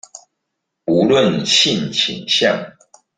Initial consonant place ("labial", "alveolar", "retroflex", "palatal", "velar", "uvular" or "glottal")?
alveolar